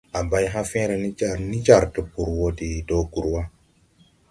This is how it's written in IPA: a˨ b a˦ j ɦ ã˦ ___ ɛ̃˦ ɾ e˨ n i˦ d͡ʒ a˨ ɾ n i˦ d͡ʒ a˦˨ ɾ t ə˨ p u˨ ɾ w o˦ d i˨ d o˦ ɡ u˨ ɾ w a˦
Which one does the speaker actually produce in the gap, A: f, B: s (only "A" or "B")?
A